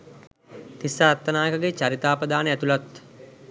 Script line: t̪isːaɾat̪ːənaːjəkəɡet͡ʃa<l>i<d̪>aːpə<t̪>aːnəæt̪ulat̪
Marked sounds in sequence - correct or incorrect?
incorrect: ɾ, incorrect: t̪, incorrect: d̪

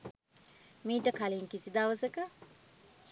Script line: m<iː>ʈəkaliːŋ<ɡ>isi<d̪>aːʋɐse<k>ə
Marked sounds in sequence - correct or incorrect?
correct, incorrect: k, correct, correct

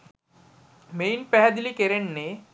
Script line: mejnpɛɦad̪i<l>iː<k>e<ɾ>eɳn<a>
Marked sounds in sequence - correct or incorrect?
correct, correct, correct, incorrect: e

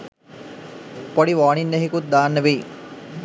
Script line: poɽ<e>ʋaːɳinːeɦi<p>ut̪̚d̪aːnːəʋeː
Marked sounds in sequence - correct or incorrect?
incorrect: i, incorrect: k

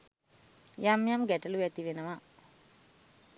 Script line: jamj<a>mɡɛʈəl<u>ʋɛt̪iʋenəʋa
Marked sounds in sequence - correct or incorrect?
correct, correct

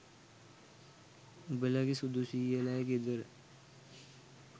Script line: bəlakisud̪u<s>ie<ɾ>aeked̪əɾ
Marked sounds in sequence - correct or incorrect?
correct, incorrect: l

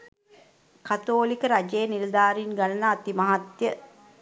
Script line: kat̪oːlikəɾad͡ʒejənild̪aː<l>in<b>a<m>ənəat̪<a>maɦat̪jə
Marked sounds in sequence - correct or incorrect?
incorrect: ɾ, incorrect: ɡ, incorrect: n, incorrect: i

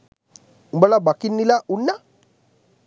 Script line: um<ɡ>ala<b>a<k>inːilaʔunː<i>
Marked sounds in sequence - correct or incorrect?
incorrect: b, correct, correct, incorrect: a

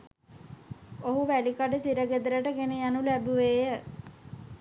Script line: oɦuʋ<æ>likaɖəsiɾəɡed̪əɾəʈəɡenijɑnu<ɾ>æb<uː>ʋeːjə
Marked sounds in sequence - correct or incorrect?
correct, incorrect: l, incorrect: u

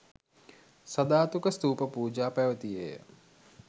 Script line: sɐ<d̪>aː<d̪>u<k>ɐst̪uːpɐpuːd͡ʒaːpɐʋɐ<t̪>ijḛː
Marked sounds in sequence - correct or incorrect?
correct, incorrect: t̪, correct, correct

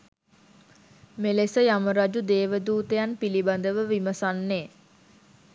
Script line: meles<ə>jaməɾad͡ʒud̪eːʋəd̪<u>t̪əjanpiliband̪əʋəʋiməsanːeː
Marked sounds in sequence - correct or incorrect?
correct, incorrect: uː

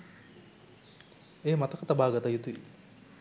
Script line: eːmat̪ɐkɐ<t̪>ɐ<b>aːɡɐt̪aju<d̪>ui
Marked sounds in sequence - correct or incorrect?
correct, correct, incorrect: t̪

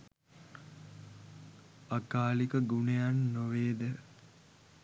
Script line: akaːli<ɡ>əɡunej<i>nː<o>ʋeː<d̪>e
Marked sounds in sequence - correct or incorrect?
incorrect: k, incorrect: a, correct, correct

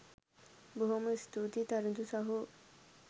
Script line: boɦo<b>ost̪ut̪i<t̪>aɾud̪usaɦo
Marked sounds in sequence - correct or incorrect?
incorrect: m, correct

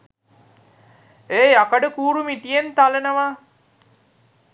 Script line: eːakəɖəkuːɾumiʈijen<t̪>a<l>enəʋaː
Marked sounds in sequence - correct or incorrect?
correct, correct

